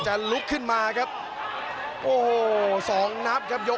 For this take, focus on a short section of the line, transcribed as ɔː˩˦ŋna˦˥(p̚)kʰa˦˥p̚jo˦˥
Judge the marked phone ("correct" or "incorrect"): correct